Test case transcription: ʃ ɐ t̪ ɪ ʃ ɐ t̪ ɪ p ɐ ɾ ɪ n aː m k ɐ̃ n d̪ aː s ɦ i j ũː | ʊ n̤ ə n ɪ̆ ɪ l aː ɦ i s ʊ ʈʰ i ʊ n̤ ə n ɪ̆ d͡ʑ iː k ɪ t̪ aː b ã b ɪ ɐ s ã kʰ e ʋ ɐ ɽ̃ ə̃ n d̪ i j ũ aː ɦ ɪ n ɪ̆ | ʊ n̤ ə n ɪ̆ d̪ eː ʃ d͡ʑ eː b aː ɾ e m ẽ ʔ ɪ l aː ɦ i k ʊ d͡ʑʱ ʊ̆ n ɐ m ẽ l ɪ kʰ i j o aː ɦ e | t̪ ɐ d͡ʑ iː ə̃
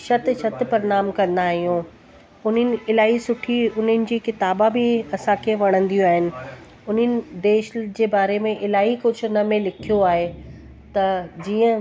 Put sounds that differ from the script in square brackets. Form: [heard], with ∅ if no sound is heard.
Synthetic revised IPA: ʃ ɐ t̪ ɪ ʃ ɐ t̪ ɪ p ɐ ɾ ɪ n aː m k ɐ̃ n d̪ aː [∅] ɦ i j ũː | ʊ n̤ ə n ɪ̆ ɪ l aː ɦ i s ʊ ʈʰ i ʊ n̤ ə n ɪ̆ d͡ʑ iː k ɪ t̪ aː b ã b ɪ ɐ s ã kʰ e ʋ ɐ ɽ̃ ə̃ n d̪ i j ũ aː ɦ ɪ n ɪ̆ | ʊ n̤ ə n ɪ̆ d̪ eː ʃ d͡ʑ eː b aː ɾ e m ẽ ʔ ɪ l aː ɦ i k ʊ d͡ʑʱ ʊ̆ n ɐ m ẽ l ɪ kʰ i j o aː ɦ e | t̪ ɐ d͡ʑ iː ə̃